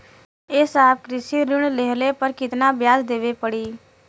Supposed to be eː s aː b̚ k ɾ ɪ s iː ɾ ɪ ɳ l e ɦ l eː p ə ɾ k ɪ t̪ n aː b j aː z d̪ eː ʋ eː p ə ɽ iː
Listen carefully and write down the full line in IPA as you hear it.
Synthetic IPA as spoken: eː s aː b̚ k ɾ ɪ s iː ɾ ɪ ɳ l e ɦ l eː p ə ɾ k ɪ t̪ n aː b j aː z d̪ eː ʋ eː p ə ɽ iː